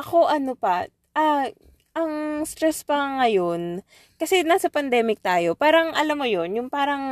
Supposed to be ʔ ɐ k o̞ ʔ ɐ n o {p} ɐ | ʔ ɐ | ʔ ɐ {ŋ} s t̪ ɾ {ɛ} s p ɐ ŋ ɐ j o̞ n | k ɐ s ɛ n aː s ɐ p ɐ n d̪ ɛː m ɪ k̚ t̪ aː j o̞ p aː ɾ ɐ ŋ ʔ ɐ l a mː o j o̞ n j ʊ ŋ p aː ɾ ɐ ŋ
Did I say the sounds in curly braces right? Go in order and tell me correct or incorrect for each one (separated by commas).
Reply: correct, correct, correct